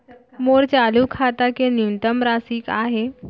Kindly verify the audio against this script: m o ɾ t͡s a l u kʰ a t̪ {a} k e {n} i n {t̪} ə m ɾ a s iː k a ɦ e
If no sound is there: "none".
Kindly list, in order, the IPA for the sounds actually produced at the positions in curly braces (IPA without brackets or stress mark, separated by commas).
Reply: a, n, t̪